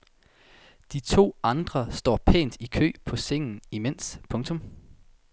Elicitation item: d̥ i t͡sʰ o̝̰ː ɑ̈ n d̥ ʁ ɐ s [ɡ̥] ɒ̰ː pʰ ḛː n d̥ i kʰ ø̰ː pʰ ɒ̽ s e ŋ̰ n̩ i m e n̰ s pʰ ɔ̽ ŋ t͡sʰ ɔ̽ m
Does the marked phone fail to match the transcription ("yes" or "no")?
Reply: yes